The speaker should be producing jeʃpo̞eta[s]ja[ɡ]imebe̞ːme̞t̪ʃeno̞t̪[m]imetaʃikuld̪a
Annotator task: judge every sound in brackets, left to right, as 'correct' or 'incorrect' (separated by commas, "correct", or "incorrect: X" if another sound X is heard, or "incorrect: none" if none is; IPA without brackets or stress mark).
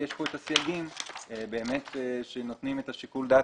correct, correct, incorrect: n